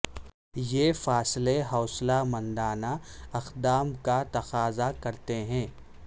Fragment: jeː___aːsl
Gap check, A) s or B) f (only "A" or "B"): B